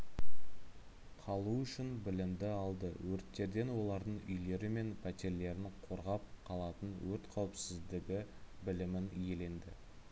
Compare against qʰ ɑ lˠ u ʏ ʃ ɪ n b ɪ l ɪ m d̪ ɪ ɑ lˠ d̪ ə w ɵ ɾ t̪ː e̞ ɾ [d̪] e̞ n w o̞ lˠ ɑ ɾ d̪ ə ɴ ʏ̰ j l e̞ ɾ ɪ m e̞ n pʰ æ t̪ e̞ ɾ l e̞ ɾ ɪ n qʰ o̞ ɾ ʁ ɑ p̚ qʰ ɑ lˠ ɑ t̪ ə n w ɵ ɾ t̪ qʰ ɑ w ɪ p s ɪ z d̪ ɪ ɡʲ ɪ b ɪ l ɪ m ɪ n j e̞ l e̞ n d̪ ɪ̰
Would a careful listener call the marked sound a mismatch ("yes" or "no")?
no